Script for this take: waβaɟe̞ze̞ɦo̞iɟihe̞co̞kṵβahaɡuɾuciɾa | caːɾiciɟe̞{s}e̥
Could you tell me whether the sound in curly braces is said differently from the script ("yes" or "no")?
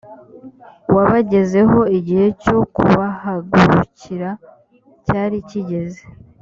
yes